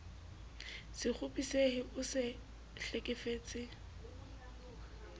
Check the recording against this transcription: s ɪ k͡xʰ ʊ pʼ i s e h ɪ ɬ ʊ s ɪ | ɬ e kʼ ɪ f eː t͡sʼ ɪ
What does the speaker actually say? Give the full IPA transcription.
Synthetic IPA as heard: s ɪ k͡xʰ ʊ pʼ i s e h ɪ ʊ s ɪ | ɬ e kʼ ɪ f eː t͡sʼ ɪ

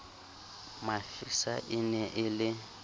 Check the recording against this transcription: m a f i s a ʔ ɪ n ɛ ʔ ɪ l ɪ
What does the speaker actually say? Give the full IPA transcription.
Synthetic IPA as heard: m a f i s a ʔ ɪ n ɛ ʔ ɪ l ɪ

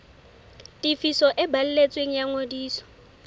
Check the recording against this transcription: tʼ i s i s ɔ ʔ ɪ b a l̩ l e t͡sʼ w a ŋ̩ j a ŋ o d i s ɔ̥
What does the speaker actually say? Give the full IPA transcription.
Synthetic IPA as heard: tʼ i f i s ɔ ʔ ɪ b a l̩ l e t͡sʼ w e ŋ̩ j a ŋ o d iː s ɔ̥

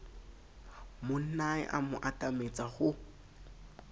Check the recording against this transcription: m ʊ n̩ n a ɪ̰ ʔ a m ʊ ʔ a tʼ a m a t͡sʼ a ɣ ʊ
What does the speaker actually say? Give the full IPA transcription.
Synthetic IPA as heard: m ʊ n̩ n a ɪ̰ ʔ a m ʊ ʔ a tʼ a m e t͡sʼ a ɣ ʊ

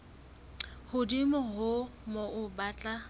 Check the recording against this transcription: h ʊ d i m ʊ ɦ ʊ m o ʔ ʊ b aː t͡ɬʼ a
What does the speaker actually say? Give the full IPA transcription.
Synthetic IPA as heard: h ʊ d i m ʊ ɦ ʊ m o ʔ ʊ b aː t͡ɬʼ a

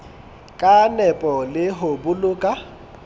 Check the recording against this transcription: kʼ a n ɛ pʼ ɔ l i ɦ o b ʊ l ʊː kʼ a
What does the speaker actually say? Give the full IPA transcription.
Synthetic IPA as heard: kʼ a n ɛ pʼ ɔ l ɪ ɦ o b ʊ l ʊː kʼ a

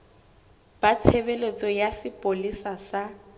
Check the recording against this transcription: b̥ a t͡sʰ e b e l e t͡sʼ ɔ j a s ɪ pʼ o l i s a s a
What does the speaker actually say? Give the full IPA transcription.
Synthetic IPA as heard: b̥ a t͡sʰ e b e l e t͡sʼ ɔ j a s ɪ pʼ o l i s a s a

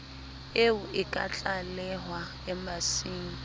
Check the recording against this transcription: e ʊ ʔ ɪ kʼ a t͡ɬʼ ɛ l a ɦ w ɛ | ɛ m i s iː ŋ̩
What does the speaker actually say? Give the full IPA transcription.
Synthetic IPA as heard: e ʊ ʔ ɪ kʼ a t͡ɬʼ a l ɛ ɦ w a | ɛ m a s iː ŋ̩

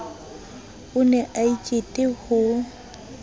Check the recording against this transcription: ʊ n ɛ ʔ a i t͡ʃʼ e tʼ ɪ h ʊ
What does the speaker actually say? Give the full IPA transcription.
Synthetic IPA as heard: ʊ n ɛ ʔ a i t͡ʃʼ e tʼ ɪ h ʊ

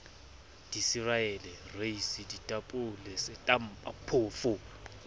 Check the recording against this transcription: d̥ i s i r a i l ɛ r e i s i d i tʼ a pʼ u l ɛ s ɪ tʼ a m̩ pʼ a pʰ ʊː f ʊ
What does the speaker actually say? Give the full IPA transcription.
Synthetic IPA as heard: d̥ i s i r a ɛ l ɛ r e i s i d i tʼ a pʼ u l ɛ s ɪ tʼ a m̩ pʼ a pʰ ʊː f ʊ

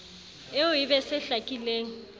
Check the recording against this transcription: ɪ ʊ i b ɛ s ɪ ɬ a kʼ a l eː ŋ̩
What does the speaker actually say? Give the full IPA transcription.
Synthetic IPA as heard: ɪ ʊ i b ɛ s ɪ ɬ a kʼ i l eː ŋ̩

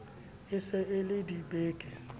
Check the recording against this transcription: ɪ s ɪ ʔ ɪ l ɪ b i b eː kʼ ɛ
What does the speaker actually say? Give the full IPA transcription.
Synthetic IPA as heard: ɪ s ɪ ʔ ɪ l ɪ d i b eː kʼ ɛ

